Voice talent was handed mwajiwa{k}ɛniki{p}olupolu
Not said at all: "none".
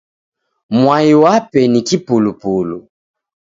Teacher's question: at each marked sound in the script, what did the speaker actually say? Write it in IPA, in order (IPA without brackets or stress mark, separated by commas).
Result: p, p